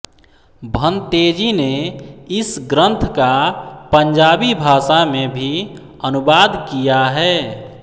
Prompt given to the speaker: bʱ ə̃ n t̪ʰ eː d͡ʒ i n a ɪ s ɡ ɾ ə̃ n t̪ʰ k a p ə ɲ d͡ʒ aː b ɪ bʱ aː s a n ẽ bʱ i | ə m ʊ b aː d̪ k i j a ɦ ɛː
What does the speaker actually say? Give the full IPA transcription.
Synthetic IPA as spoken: bʱ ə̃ n t̪ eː d͡ʒ i n e ɪ s ɡ ɾ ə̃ n t̪ʰ k a p ə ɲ d͡ʒ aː b i bʱ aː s a m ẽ bʱ i | ə n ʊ b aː d̪ k i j a ɦ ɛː

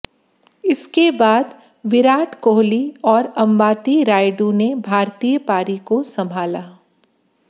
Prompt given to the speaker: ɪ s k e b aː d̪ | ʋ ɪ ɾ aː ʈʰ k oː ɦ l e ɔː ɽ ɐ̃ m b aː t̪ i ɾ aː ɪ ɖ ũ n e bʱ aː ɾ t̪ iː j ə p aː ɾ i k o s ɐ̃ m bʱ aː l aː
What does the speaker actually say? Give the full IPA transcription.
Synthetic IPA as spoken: ɪ s k e b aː d̪ | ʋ ɪ ɾ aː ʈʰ k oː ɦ l i ɔː ɾ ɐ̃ m b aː t̪ i ɾ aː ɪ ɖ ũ n e bʱ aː ɾ t̪ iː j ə p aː ɾ i k o s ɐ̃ m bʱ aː l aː

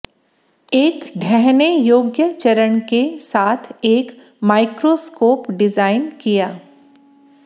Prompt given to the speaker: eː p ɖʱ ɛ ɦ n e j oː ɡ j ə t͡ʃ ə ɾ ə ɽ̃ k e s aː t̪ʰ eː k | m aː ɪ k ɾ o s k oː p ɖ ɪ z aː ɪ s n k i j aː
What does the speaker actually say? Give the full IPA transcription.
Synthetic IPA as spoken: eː k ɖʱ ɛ ɦ n e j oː ɡ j ə t͡ʃ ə ɾ ə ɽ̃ k e s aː t̪ʰ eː k | m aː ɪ k ɾ o s k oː p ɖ ɪ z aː ɪ n k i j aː

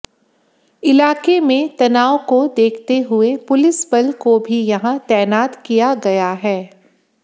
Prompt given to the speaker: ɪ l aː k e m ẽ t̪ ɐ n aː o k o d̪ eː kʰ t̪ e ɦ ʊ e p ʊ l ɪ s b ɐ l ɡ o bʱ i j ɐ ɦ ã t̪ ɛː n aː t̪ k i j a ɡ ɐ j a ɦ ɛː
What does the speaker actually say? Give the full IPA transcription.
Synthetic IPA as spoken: ɪ l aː k e m ẽ t̪ ɐ n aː o k o d̪ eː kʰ t̪ e ɦ ʊ e p ʊ l ɪ s b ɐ l k o bʱ i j ɐ ɦ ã t̪ ɛː n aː t̪ k i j a ɡ ɐ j a ɦ ɛː

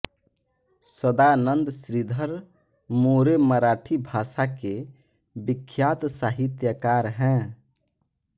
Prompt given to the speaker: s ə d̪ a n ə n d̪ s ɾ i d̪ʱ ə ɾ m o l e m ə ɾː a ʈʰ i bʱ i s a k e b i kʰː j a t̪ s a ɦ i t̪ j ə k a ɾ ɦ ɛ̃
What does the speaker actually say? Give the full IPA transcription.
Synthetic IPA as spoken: s ə d̪ a n ə n d̪ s ɾ i d̪ʱ ə ɾ m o ɾ e m ə ɾ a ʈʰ i bʱ a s a k e b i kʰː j a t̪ s a ɦ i t̪ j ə k a ɾ ɦ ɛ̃

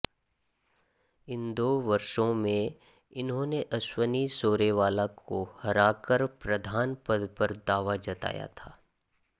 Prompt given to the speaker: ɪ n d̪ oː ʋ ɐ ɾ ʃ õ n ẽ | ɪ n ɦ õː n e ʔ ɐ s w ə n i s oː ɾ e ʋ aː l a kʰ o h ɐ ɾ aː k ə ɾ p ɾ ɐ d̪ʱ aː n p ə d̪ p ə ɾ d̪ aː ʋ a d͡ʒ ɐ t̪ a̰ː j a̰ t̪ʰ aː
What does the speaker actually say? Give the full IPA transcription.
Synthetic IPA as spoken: ɪ n d̪ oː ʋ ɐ ɾ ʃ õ m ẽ | ɪ n ɦ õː n e ʔ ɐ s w ə n i s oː ɾ e ʋ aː l a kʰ o h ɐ ɾ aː k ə ɾ p ɾ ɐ d̪ʱ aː n p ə d̪ p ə ɾ d̪ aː ʋ a d͡ʒ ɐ t̪ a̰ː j a̰ t̪ʰ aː

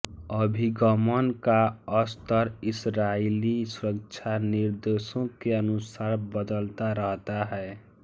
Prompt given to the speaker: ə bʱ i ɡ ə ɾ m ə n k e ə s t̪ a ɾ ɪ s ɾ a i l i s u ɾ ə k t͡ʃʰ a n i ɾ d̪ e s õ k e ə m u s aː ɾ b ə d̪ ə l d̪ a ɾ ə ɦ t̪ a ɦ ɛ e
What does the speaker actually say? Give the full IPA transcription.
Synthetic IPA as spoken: ə bʱ i ɡ ə m ə n k a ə s t̪ ə ɾ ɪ s ɾ a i l i s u ɾ ə k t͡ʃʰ a n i ɾ d̪ e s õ k e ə n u s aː ɾ b ə d̪ ə l t̪ a ɾ ə ɦ t̪ a ɦ ɛ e

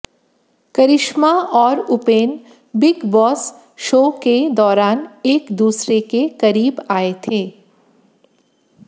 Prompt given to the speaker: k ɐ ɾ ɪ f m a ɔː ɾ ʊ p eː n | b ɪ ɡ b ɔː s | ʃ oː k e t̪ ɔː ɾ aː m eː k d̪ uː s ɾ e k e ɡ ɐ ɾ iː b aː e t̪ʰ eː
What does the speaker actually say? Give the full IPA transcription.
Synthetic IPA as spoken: k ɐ ɾ ɪ ʃ m a ɔː ɾ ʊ p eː n | b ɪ ɡ b ɔː s | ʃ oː k e d̪ ɔː ɾ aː n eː k d̪ uː s ɾ e k e k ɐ ɾ iː b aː e t̪ʰ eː

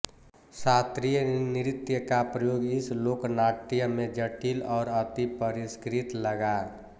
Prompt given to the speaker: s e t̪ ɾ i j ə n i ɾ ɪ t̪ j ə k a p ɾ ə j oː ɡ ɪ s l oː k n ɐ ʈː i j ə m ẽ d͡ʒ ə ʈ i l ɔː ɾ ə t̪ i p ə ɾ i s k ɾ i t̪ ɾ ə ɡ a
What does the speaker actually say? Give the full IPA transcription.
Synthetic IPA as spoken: s a t̪ ɾ i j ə n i ɾ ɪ t̪ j ə k a p ɾ ə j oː ɡ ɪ s l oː k n a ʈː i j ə m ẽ d͡ʒ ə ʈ i l ɔː ɾ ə t̪ i p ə ɾ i s k ɾ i t̪ l ə ɡ a

